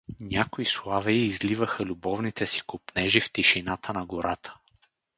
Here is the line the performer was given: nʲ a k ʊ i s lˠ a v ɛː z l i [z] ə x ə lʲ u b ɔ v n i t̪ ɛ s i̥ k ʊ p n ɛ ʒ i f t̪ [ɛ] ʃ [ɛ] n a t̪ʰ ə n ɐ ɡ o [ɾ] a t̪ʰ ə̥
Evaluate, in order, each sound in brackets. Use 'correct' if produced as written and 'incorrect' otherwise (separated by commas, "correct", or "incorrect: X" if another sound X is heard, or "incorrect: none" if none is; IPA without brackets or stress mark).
incorrect: v, incorrect: i, incorrect: i, correct